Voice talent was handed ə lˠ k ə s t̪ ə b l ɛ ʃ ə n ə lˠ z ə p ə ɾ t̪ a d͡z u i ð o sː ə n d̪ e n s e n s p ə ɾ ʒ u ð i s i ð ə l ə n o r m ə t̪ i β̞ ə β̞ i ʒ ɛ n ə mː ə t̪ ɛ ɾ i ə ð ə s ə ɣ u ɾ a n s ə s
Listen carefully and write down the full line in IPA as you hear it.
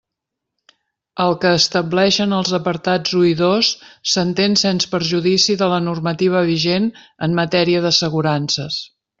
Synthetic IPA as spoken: ə lˠ k əː s t̪ ə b l ɛ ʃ ə n ə lˠ z ə p ə ɾ t̪ a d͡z u i ð o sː ə n t̪ e n s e n s p ə ɾ ʒ u ð i s i ð ə l ə n u r m ə t̪ i β̞ ə β̞ i ʒ e n ə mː ə t̪ ɛ ɾ i ə ð ə s ə ɣ u ɾ a n s ə s